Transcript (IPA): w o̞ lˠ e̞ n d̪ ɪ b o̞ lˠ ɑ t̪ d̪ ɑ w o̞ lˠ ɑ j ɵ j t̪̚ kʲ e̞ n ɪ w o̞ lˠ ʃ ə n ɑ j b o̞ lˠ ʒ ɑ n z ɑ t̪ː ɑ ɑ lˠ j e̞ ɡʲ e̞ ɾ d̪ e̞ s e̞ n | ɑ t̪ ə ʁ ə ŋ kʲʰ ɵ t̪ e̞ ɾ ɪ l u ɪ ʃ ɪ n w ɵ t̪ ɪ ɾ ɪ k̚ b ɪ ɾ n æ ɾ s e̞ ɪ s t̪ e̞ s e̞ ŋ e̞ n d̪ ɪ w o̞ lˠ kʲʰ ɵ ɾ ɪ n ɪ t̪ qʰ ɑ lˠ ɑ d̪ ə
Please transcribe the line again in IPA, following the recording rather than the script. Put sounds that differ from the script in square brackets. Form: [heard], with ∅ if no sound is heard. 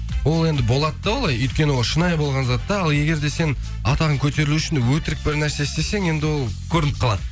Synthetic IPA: w o̞ lˠ e̞ n d̪ ɪ b o̞ lˠ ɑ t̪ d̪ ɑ w o̞ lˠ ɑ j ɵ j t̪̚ kʲ e̞ n ɪ w o̞ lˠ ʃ ə n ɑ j b o̞ lˠ [ʁ] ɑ n z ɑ t̪ː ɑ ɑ lˠ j e̞ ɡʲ e̞ ɾ d̪ e̞ s e̞ n | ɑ t̪ [ɑ] ʁ ə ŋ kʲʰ ɵ t̪ e̞ ɾ ɪ l u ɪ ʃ ɪ n w ɵ t̪ ɪ ɾ ɪ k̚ b ɪ ɾ n æ ɾ s e̞ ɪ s t̪ e̞ s e̞ ŋ e̞ n d̪ ɪ w o̞ lˠ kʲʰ ɵ ɾ ɪ n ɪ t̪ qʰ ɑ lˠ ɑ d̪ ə